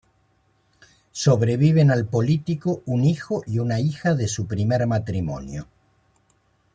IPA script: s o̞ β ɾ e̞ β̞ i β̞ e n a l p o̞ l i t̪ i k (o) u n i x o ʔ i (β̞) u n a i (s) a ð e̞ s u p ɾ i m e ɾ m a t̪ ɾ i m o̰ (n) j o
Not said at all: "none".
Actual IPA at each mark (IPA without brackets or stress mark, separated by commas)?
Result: o, none, x, n